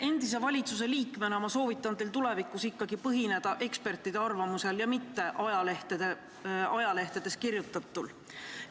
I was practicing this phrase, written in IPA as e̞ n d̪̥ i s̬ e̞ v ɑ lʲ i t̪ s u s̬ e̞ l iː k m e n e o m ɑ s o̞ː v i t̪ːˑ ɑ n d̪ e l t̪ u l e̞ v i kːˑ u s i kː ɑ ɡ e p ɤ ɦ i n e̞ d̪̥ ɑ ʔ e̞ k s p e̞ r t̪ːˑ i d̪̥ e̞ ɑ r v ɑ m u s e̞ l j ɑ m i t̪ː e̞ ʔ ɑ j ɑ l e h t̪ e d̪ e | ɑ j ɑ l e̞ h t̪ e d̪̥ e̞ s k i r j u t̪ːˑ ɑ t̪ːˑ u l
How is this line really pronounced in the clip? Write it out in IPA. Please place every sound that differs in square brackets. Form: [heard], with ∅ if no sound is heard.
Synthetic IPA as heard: e̞ n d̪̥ i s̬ e̞ v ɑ lʲ i t̪ s u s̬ e̞ l iː k m e n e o m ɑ s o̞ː v i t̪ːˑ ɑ n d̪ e l t̪ u l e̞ v i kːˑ u s i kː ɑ ɡ [i] p ɤ ɦ i n e̞ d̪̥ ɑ ʔ e̞ k s p e̞ r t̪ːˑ i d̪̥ e̞ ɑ r v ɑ m u s e̞ l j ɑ m i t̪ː e̞ ʔ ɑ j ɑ l e h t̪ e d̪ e | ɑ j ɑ l e̞ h t̪ e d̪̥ e̞ s k i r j u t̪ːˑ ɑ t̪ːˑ u l